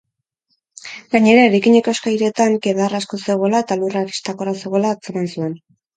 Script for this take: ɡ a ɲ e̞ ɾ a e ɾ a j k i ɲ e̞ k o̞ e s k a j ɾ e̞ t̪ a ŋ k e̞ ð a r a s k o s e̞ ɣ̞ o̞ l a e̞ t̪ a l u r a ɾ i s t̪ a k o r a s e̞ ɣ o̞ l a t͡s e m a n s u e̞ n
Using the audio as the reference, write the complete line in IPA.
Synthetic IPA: ɡ a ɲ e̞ ɾ a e ɾ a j k i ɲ e̞ k o̞ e s k a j ɾ e̞ t̪ a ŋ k e̞ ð a r a s k o s e̞ ɣ̞ o̞ l a e̞ t̪ a l u r a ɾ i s t̪ a k o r a s e̞ ɣ o̞ l a t͡s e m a n s u e̞ n